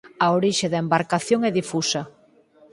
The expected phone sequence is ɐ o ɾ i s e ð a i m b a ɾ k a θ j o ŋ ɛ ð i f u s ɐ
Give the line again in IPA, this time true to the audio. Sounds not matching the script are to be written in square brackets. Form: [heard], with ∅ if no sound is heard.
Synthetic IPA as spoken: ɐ o ɾ i [ʃ] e ð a [e] m b a ɾ k a θ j o ŋ ɛ ð i f u s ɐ